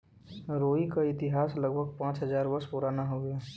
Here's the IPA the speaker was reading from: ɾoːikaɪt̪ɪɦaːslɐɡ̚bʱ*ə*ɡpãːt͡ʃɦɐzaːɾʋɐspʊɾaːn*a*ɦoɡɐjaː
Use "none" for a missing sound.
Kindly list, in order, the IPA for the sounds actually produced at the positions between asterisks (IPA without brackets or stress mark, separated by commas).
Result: ə, a